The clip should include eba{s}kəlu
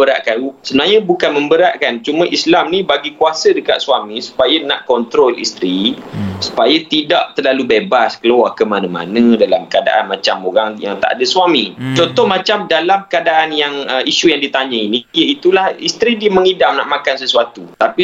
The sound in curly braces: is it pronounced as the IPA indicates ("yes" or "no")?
yes